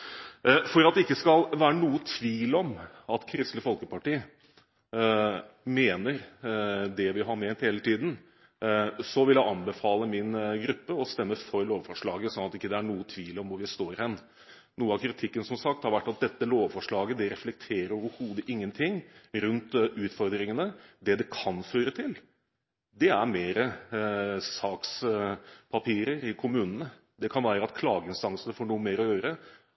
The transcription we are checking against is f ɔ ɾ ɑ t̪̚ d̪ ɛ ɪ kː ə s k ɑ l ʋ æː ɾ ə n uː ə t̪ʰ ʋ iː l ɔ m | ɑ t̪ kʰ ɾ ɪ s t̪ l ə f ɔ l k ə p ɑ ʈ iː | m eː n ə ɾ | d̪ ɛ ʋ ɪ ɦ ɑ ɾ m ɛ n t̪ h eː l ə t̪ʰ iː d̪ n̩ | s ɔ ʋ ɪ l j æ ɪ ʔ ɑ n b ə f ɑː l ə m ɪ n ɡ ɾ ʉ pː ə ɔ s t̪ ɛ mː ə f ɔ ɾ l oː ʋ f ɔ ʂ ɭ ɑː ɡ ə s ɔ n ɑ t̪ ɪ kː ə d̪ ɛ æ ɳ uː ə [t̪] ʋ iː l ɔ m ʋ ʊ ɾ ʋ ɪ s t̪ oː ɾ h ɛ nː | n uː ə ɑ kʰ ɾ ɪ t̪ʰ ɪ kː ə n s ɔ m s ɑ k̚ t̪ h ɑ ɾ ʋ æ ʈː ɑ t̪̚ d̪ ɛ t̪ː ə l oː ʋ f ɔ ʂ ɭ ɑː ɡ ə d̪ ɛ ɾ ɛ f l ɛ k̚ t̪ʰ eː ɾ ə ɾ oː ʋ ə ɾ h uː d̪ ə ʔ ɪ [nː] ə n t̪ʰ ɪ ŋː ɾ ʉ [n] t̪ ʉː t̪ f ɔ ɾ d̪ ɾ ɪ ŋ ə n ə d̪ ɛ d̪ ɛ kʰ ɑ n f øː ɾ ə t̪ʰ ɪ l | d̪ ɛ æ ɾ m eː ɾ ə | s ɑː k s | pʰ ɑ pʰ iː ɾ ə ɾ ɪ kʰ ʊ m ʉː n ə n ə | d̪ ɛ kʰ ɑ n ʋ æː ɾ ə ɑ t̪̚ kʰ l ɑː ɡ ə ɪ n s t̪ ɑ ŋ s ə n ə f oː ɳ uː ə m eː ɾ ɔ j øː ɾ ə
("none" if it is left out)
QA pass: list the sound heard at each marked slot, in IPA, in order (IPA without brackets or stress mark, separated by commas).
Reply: t̪ʰ, ŋː, n